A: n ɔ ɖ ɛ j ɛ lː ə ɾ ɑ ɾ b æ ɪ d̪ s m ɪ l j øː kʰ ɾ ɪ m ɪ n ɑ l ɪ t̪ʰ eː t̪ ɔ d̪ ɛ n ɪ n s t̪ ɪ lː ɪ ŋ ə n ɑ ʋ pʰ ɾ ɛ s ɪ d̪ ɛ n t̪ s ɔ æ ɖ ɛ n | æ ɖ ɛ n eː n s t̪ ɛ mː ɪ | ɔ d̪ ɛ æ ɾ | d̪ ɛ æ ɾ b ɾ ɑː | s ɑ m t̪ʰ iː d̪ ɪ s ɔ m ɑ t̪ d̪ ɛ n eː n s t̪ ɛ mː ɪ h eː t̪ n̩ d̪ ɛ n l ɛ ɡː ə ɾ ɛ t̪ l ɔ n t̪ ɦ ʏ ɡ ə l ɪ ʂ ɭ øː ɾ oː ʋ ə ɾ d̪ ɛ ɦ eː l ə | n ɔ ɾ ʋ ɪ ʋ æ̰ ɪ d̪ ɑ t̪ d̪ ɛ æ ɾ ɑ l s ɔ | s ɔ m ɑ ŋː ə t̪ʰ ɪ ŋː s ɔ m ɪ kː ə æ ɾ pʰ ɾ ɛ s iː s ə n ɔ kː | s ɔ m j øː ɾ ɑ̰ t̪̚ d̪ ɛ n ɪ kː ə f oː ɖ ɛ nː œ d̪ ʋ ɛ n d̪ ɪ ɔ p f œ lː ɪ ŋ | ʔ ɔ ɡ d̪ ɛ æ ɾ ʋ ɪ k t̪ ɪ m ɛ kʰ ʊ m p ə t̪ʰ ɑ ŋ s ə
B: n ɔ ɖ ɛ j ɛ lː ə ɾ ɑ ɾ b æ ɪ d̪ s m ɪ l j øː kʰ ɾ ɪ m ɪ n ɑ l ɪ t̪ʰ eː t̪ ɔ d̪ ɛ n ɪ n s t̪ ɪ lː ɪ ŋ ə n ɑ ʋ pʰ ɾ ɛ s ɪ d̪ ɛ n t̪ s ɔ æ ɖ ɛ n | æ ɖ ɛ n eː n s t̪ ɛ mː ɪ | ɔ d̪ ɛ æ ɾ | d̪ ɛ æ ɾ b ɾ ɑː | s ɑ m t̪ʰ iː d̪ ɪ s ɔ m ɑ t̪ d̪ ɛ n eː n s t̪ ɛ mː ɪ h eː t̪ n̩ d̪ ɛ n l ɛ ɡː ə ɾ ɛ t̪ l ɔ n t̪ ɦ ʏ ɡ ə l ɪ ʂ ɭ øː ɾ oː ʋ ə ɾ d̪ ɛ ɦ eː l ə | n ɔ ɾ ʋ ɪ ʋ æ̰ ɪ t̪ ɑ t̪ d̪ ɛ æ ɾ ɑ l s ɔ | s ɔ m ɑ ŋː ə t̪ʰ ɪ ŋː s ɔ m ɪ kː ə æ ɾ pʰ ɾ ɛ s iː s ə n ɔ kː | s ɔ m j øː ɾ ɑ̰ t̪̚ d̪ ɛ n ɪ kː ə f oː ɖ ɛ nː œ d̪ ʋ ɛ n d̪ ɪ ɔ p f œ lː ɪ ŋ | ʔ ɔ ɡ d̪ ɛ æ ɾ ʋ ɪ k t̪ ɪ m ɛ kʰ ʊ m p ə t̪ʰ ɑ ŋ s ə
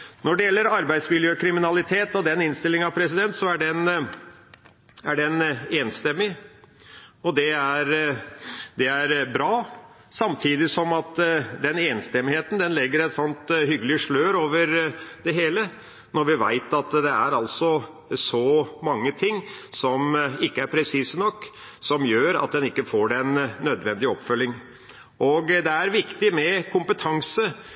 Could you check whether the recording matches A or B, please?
B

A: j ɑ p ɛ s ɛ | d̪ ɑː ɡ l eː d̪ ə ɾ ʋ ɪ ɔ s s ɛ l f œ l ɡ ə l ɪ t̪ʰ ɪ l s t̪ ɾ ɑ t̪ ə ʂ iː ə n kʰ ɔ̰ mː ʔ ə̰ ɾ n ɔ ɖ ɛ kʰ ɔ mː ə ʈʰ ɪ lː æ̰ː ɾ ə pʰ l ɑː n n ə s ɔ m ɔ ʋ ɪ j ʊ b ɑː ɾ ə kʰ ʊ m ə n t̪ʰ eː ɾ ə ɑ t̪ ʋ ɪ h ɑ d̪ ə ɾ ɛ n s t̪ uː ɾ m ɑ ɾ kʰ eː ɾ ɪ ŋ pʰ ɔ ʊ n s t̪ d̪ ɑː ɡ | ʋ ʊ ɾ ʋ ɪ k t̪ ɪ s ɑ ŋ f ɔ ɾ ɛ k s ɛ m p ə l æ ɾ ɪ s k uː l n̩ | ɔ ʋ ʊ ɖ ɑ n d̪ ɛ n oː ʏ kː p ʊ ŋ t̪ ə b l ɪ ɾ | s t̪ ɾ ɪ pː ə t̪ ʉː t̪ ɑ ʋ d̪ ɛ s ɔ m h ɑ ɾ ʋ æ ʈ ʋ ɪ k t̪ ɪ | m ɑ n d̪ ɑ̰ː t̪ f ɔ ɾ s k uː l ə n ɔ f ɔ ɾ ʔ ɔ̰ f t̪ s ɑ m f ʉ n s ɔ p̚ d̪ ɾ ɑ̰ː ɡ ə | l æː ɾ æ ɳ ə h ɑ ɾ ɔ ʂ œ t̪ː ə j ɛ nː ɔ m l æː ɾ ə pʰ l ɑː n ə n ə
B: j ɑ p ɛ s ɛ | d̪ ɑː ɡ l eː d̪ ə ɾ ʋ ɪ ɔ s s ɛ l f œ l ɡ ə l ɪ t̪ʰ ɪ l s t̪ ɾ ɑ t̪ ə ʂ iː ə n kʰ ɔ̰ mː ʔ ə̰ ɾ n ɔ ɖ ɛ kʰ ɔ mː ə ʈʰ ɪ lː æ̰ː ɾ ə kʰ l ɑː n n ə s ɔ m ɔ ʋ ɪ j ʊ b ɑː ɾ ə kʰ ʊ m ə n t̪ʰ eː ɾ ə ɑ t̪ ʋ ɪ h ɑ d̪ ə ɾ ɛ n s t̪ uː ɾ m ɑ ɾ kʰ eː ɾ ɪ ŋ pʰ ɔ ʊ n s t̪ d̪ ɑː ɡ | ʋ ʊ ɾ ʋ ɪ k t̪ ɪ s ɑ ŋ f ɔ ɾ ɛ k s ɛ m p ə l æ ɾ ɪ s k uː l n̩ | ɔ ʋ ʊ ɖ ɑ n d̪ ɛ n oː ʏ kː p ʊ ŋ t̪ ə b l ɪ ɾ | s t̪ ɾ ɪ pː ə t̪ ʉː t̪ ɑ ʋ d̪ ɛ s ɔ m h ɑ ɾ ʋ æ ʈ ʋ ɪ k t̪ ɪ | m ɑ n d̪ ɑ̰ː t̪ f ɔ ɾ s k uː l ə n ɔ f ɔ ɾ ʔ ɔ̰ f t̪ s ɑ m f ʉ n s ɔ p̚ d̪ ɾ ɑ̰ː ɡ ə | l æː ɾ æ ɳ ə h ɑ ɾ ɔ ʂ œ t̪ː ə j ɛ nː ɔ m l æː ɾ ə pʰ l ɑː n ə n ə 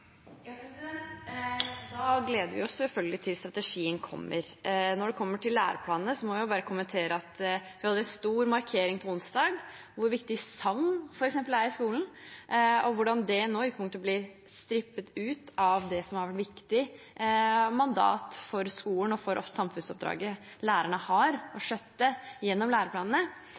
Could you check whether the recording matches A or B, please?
A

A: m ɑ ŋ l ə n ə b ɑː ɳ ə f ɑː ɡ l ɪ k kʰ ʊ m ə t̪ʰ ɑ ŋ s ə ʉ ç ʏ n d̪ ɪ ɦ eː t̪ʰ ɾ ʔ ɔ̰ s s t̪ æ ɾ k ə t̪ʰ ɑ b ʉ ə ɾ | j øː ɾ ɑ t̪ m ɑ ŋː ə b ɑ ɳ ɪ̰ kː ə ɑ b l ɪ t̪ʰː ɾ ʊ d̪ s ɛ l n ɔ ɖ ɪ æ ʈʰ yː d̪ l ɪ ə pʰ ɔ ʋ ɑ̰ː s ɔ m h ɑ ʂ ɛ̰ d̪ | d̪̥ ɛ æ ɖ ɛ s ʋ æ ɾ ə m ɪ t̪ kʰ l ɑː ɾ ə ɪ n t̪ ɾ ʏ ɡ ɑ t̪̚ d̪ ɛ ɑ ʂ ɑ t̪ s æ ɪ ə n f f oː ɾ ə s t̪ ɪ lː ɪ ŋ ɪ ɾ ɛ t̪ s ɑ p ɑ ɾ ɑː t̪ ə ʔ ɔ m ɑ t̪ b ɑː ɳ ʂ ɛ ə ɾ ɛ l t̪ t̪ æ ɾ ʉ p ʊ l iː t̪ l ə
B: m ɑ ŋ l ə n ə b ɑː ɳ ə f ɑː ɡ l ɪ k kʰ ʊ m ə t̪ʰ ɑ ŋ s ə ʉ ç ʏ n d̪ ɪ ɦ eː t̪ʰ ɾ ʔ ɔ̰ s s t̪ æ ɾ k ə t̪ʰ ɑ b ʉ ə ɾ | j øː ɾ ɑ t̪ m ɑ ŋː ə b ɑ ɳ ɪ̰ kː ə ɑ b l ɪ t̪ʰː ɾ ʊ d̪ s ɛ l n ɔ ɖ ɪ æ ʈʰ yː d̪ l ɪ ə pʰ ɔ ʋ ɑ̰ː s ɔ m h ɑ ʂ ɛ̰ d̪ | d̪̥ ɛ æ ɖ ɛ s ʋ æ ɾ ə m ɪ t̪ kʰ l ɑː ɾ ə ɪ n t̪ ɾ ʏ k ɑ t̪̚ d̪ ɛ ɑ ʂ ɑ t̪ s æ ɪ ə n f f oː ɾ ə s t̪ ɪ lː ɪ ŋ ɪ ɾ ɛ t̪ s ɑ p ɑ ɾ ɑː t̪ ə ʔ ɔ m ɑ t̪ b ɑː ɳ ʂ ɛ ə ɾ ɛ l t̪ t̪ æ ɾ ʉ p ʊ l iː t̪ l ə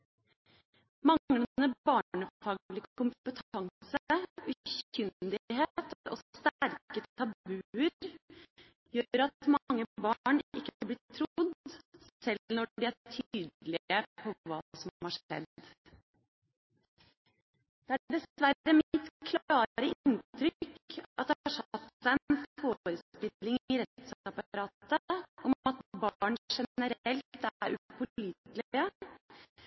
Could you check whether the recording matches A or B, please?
B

